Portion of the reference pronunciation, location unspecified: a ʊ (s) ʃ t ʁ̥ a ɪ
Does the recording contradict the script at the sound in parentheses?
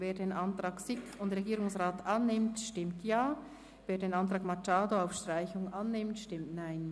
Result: yes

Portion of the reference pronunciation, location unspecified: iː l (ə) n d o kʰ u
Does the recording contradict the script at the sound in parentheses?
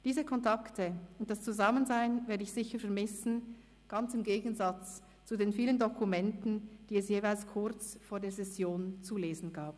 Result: no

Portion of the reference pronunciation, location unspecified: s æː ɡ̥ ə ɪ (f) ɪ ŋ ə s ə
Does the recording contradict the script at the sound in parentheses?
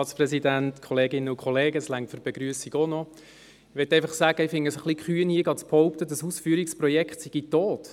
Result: no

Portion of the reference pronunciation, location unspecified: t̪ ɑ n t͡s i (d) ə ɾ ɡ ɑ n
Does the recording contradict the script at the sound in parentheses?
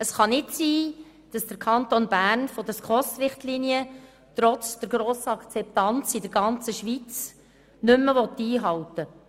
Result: no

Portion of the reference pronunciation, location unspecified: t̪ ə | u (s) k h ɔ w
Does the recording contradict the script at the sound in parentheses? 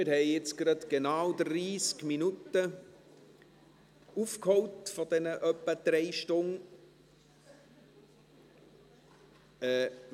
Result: yes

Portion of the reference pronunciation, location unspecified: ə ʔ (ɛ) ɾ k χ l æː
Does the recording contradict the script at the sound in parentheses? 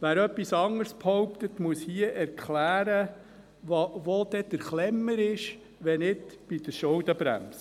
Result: no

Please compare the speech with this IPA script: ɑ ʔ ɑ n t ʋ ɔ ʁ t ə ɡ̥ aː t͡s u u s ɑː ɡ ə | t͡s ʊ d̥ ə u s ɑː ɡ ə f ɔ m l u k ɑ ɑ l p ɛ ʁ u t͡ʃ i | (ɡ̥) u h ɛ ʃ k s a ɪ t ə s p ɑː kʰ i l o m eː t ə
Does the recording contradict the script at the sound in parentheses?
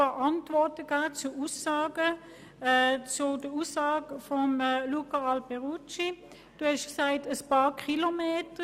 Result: yes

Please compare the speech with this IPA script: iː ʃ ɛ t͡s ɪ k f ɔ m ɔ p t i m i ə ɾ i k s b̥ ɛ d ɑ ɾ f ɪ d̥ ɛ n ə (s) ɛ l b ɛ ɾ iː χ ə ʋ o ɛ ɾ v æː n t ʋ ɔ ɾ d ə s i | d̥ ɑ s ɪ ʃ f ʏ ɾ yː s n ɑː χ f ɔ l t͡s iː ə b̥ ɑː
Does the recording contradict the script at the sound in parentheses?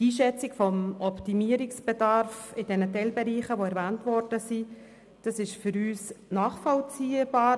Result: yes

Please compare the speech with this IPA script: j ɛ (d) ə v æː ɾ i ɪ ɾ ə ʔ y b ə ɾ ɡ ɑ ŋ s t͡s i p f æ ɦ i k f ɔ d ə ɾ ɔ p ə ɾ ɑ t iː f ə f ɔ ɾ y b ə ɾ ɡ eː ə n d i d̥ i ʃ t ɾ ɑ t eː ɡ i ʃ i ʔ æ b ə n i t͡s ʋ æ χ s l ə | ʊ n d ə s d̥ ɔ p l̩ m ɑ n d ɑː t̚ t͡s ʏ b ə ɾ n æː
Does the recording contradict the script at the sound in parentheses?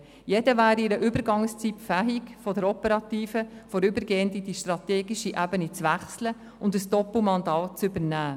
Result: no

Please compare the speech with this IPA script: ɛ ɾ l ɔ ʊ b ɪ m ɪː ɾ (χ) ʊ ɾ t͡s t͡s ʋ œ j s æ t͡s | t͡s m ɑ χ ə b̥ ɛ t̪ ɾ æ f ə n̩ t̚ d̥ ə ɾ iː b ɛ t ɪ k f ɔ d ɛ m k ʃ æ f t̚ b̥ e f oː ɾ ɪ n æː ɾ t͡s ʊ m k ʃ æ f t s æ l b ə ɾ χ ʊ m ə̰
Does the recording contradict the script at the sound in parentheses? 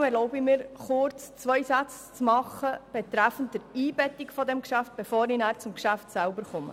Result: no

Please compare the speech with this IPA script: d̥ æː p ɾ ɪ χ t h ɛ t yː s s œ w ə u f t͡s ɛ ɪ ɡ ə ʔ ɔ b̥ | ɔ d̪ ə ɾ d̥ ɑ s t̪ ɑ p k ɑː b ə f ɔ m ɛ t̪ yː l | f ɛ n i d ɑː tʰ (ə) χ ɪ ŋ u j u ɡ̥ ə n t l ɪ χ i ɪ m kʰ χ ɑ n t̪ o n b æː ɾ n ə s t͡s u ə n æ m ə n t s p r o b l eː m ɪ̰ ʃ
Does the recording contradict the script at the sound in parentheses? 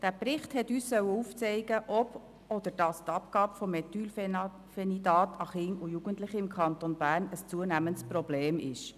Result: yes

